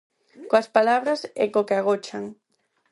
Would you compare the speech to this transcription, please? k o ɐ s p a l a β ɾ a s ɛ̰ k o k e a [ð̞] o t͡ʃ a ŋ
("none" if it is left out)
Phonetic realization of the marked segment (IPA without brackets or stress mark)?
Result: ɣ̞